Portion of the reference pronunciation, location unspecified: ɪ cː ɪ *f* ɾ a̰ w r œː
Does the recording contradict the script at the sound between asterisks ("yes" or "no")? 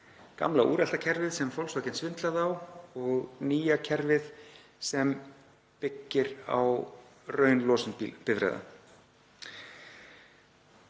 yes